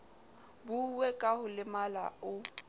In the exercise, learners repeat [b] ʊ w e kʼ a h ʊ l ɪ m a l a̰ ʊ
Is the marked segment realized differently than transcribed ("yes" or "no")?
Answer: no